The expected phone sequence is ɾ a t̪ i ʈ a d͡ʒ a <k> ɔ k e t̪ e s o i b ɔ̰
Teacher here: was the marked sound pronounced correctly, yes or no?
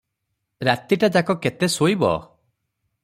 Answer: yes